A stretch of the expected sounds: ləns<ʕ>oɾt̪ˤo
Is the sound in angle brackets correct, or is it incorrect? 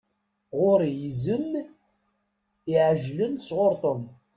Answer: incorrect